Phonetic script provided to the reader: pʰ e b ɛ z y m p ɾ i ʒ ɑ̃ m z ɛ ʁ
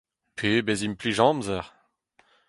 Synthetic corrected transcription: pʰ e b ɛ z i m p l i ʒ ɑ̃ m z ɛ ʁ